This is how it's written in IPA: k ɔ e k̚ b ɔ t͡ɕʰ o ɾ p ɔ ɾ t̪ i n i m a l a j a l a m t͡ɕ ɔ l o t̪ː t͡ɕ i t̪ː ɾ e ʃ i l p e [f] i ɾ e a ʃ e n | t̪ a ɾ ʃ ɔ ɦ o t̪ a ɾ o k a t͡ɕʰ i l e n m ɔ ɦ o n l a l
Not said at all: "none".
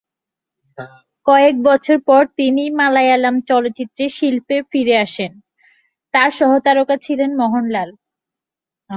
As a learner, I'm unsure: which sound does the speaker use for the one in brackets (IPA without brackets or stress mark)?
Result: f